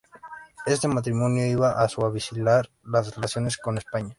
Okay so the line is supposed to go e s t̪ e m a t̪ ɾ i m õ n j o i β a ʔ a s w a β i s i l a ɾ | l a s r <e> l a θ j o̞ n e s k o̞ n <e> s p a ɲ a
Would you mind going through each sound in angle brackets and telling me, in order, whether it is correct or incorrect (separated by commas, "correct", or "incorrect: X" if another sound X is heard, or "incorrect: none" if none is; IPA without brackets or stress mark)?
correct, correct